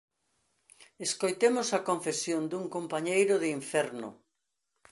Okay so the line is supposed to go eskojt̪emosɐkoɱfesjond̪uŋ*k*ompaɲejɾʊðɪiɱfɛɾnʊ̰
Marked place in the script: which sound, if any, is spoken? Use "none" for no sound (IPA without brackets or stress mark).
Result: k